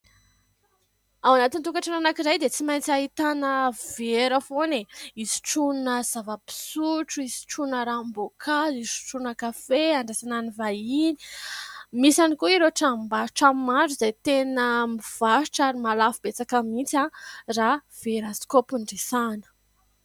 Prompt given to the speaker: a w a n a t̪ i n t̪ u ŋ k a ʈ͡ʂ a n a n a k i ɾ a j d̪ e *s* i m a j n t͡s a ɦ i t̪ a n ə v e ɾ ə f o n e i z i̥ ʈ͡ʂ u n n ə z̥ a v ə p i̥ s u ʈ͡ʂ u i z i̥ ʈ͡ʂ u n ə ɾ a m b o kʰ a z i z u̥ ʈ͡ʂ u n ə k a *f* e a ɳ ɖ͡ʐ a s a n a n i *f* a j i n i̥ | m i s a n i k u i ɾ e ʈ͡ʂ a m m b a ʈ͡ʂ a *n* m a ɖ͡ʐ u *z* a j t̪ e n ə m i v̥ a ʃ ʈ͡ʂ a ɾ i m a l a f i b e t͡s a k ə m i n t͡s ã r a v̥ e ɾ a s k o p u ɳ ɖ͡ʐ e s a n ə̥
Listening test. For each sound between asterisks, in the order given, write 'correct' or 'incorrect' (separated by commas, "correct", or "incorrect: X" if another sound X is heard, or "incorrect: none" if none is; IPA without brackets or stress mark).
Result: incorrect: t͡s, correct, incorrect: v, incorrect: m, correct